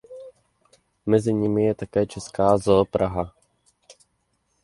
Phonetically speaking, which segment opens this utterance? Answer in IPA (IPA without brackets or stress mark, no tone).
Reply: m